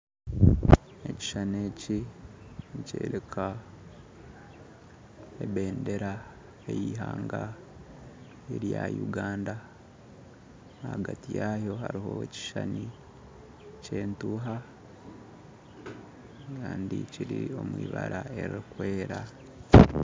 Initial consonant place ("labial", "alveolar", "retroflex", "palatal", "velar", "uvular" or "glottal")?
palatal